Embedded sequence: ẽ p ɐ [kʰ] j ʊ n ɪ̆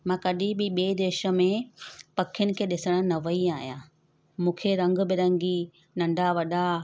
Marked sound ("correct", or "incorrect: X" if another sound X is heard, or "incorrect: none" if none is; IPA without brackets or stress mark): correct